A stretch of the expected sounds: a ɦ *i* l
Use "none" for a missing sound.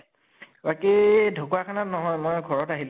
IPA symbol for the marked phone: i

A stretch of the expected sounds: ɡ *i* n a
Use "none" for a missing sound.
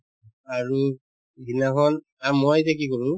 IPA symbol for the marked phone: i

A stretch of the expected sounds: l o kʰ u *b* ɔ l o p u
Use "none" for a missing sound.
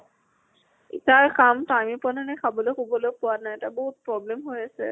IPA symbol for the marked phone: b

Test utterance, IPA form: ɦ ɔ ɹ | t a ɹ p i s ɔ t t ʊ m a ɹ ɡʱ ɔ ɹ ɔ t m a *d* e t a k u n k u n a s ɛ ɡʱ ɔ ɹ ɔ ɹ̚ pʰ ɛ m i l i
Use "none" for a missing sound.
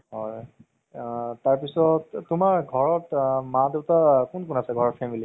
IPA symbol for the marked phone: d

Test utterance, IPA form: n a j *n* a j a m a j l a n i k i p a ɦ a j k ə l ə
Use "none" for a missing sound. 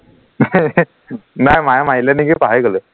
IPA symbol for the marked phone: m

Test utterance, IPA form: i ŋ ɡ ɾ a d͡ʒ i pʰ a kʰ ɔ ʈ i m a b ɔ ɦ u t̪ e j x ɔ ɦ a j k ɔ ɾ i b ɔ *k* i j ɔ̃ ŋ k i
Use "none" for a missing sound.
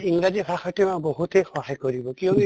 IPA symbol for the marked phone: k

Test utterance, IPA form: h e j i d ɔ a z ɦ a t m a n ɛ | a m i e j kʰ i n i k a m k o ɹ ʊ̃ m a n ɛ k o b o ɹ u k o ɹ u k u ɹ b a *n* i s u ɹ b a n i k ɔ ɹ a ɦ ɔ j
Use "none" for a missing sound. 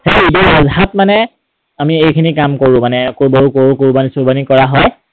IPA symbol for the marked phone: n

